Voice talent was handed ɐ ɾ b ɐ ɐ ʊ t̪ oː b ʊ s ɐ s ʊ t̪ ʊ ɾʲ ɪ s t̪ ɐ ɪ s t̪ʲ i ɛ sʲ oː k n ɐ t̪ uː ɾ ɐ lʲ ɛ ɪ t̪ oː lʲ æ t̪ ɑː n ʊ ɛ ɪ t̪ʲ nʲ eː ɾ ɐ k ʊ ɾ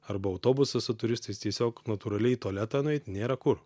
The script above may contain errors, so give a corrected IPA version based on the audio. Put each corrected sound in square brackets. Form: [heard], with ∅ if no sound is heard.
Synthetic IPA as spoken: ɐ ɾ b ɐ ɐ ʊ t̪ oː b ʊ s ɐ s ʊ t̪ ʊ ɾʲ ɪ s t̪ ɐ ɪ s t̪ʲ i ɛ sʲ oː k n ɐ t̪ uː ɾ ɐ lʲ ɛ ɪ t̪ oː lʲ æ t̪ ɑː n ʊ ɛ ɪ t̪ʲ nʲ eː ɾ ɐ k ʊ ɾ